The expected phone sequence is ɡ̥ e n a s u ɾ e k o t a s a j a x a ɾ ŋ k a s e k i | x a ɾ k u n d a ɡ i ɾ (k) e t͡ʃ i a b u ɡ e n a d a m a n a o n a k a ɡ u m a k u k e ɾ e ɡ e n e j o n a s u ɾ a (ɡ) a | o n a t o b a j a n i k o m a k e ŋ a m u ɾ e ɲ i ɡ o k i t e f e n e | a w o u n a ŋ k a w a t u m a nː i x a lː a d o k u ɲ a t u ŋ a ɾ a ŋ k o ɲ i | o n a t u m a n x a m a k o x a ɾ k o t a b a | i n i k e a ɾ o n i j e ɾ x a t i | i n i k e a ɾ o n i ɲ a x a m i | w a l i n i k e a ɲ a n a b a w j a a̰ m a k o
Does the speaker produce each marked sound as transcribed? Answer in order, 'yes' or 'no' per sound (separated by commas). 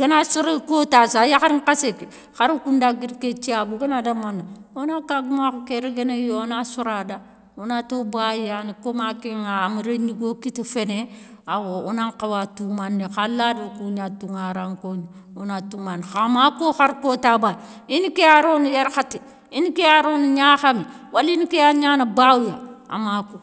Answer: yes, no